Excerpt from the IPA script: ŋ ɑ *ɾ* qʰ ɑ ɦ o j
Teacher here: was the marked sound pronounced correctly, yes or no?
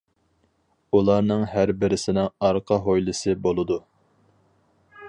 yes